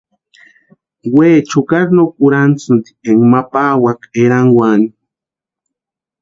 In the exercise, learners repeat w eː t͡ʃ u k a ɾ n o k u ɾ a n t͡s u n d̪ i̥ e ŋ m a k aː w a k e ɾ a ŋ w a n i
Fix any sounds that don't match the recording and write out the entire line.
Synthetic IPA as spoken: w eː t͡ʃ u k a ɾ n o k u ɾ a n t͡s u n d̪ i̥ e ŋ m a p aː w a k e ɾ a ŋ w a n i